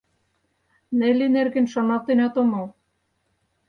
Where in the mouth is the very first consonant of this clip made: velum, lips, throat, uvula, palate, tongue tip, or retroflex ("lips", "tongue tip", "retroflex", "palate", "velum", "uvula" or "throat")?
tongue tip